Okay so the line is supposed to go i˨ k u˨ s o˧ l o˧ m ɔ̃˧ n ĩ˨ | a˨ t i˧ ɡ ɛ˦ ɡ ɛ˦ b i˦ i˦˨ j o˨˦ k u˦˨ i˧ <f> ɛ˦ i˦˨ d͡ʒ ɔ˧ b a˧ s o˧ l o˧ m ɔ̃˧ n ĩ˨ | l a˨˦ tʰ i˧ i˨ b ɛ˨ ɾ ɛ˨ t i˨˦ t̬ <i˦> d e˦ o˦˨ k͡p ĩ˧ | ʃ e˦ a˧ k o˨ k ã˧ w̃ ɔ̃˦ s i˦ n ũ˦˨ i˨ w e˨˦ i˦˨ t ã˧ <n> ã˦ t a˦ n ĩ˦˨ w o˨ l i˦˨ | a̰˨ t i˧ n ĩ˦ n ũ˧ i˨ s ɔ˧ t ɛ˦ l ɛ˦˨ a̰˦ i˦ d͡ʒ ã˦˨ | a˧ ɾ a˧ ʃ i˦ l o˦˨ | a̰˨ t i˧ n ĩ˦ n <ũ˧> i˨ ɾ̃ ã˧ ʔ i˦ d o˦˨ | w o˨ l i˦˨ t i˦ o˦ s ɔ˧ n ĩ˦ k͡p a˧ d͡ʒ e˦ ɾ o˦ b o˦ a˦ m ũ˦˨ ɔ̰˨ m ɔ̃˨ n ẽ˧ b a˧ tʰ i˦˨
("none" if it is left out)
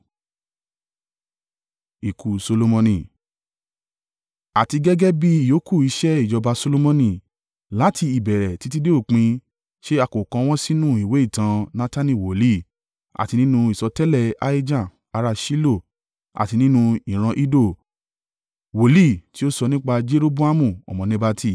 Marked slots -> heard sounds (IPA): ʃ, i˦, n, ũ˧

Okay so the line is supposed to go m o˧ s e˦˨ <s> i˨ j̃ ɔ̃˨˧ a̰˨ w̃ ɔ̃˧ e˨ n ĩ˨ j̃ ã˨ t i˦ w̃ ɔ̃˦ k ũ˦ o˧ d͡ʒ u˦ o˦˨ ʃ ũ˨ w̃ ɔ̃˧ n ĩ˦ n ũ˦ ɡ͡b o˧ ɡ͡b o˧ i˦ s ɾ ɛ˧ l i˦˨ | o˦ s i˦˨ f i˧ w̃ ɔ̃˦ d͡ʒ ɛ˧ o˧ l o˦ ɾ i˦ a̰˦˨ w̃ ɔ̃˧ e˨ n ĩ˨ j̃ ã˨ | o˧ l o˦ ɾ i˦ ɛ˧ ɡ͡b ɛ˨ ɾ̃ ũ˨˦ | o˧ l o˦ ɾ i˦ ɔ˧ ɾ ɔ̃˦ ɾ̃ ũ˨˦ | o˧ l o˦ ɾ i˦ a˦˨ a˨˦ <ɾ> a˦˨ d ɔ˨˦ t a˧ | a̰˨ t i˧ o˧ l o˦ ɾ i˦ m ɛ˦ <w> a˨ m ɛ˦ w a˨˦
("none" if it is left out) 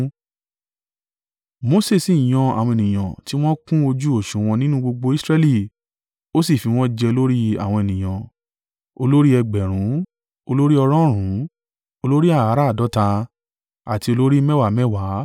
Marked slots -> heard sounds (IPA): s, ɾ, w

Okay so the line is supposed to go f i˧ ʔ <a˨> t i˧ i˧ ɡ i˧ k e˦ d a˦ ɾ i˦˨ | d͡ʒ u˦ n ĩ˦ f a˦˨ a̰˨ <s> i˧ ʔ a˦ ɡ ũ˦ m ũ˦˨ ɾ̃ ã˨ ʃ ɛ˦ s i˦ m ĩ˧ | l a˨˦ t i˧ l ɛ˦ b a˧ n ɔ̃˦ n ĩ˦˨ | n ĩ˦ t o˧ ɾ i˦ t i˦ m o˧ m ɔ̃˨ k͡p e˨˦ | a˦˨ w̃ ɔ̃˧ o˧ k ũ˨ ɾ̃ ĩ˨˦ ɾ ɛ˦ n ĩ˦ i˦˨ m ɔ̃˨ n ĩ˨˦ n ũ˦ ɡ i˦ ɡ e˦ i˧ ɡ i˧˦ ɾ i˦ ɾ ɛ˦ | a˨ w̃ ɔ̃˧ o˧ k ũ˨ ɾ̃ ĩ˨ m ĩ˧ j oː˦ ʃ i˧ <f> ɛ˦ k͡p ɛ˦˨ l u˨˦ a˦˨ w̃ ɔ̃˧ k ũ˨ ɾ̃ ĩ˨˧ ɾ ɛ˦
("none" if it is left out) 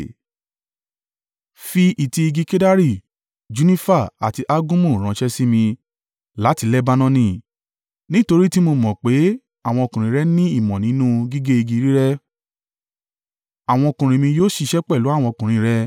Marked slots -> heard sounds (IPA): i˨, t, ʃ

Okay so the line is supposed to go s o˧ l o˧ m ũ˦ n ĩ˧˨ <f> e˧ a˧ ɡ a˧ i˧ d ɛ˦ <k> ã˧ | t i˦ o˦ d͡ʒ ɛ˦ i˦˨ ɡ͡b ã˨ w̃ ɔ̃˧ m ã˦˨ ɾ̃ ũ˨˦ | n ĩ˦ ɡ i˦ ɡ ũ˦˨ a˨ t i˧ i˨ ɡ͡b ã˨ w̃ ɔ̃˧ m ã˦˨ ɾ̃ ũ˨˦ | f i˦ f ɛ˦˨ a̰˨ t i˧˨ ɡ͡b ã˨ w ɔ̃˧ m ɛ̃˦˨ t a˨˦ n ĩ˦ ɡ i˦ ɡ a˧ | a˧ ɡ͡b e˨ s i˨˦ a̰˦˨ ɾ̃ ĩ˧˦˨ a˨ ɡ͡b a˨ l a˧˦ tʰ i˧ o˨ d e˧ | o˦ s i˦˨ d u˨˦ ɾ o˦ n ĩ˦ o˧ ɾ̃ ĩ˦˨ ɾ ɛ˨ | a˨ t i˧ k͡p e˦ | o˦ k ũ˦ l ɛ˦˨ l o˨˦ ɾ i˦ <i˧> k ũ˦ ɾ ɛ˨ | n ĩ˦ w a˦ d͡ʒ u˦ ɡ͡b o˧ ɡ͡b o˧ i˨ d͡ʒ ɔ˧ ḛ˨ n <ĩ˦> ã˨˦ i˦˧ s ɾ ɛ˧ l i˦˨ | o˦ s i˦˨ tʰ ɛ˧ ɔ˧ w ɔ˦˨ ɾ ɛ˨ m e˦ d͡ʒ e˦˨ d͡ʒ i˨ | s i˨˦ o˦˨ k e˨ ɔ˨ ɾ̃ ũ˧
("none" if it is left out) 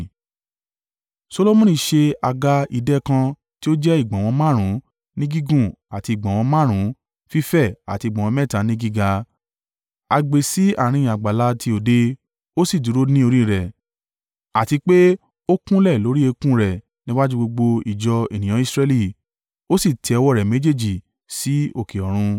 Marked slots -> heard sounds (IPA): ʃ, k, e˧, ĩ˨

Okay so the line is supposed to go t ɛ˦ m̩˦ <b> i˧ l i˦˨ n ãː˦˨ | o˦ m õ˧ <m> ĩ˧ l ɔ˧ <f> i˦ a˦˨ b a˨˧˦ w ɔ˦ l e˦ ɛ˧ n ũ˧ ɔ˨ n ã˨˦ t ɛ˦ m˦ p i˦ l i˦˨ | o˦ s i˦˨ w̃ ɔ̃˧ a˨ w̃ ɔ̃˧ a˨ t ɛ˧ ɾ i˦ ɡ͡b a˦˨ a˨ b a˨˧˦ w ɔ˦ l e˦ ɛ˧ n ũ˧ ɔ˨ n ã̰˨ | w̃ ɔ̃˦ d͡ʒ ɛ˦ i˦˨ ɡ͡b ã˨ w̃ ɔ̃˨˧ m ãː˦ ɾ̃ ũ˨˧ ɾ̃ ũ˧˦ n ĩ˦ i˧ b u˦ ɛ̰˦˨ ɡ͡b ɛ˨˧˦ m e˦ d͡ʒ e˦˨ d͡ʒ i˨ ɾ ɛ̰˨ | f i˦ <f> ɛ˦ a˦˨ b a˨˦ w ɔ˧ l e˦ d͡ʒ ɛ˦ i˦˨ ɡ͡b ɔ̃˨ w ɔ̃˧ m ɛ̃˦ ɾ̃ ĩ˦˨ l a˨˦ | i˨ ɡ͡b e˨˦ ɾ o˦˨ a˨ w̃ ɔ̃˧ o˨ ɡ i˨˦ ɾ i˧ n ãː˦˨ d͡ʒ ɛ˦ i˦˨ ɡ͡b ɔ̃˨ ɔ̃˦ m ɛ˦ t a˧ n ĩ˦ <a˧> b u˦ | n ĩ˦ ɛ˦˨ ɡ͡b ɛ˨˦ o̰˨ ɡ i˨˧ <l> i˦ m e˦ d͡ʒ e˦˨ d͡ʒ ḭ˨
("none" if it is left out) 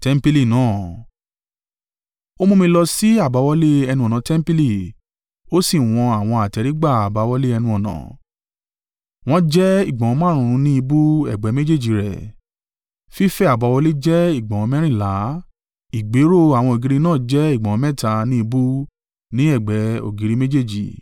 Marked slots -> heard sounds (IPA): p, m, s, f, i˧, ɾ

